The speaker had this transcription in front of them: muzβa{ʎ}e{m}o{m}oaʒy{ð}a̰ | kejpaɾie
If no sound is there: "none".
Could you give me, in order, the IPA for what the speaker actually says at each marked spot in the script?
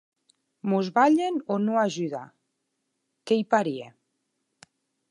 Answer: ʎ, n, n, ð

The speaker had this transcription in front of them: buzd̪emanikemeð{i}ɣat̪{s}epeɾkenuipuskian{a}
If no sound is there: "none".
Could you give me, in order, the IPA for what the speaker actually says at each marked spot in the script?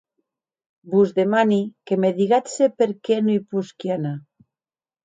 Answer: i, s, a

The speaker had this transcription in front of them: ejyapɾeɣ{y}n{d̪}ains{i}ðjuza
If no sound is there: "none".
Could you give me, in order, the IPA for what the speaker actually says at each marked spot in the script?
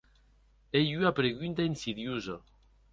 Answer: y, t̪, i

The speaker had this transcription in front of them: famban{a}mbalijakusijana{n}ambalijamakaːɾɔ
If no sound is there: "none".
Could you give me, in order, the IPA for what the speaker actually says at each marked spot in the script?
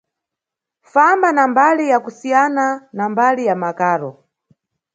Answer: a, n

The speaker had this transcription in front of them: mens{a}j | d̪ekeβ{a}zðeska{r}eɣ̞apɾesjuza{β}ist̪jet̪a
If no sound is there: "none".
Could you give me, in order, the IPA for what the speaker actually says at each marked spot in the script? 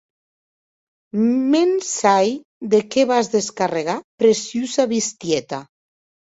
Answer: a, a, r, β

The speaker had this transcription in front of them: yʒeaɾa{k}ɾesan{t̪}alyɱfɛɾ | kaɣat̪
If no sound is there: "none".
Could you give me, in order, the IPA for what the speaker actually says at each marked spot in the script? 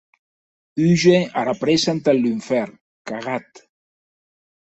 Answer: p, t̪

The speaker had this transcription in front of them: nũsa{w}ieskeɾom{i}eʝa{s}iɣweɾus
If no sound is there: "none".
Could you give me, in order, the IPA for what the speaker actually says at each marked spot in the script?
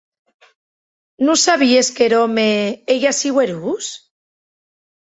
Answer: β, e, s

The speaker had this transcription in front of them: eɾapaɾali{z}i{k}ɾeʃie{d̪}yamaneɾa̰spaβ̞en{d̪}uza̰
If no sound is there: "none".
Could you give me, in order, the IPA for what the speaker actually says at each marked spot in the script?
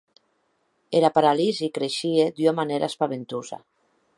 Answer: z, k, d̪, t̪

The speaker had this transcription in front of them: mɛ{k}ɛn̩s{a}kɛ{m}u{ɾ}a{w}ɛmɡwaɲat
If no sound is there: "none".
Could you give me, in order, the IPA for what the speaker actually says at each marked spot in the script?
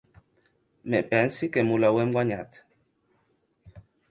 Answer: p, i, m, l, w

